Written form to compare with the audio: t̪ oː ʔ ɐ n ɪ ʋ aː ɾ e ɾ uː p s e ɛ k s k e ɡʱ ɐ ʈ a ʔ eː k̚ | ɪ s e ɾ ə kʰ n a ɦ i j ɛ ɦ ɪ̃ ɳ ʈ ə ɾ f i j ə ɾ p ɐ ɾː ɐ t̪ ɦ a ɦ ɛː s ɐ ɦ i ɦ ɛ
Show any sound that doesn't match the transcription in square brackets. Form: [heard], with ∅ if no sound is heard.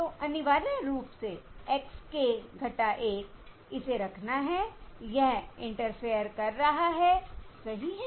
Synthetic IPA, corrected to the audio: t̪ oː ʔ ɐ n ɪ ʋ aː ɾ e ɾ uː p s e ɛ k s k e ɡʱ ɐ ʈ a ʔ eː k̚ | ɪ s e ɾ [ɐ] kʰ n a ɦ [ɛ] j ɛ ɦ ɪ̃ ɳ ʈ ə ɾ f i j ə ɾ [k] ɐ ɾː ɐ [∅] ɦ a ɦ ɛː s ɐ ɦ i ɦ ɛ